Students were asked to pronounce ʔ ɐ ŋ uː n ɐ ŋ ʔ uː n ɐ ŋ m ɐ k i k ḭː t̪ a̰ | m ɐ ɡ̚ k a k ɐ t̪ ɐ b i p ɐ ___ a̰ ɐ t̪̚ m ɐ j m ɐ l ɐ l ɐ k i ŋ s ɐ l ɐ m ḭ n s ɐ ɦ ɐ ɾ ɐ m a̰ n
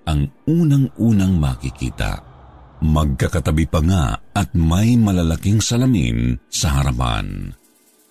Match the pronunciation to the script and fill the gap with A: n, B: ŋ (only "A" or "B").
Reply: B